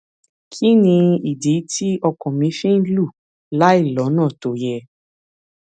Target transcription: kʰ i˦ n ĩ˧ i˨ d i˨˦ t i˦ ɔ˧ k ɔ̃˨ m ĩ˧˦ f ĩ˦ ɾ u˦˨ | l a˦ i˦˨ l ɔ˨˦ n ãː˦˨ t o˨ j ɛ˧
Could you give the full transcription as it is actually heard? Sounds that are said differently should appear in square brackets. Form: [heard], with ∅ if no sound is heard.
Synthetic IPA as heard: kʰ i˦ n ĩ˧ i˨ d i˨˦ t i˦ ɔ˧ k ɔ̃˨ m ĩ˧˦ f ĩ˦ [l] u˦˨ | l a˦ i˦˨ l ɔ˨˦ n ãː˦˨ t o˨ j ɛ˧